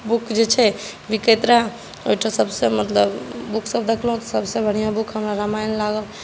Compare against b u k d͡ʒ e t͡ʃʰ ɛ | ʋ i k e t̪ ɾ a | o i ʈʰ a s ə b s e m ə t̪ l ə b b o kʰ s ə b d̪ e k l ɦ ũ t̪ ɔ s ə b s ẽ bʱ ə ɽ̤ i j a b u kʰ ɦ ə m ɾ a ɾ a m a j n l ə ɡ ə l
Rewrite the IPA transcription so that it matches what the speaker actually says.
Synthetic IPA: b u k d͡ʒ e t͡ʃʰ ɛ | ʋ i k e t̪ ɾ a | o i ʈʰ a s ə b s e m ə t̪ l ə b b u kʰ s ə b d̪ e kʰ l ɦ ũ t̪ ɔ s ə b s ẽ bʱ ə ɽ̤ i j a b u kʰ ɦ ə m ɾ a ɾ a m a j n l a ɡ ə l